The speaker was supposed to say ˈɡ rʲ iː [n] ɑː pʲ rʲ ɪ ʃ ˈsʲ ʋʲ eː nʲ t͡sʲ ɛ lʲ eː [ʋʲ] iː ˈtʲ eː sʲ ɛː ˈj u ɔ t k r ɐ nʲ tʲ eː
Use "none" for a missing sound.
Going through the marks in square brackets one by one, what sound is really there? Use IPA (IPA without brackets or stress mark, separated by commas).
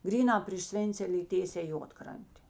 n, none